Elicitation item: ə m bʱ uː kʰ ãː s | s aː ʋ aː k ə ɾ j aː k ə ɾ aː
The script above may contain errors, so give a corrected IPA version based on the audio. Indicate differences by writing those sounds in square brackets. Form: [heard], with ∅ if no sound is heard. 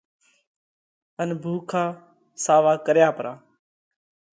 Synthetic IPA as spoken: ə [n] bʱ uː kʰ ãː [∅] | s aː ʋ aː k ə ɾ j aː [p] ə ɾ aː